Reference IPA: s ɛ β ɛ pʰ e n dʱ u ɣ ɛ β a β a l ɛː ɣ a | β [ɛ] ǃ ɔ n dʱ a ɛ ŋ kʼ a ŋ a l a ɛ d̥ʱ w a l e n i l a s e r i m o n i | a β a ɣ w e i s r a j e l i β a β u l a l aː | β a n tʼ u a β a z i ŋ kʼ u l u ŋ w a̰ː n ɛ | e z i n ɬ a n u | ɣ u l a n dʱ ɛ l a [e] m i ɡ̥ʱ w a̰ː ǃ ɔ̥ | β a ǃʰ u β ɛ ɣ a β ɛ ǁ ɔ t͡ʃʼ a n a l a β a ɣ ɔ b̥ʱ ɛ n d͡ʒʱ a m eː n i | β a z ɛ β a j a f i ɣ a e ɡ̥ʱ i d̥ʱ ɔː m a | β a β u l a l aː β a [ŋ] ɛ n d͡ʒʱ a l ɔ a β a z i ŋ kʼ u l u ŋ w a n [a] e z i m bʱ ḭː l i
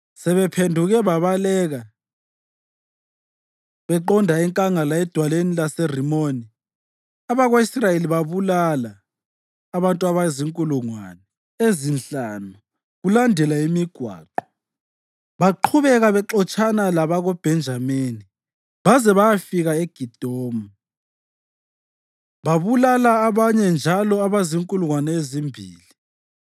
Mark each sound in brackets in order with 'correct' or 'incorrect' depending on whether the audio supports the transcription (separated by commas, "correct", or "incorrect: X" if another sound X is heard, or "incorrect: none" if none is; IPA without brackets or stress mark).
correct, incorrect: i, incorrect: ɲ, incorrect: ɛ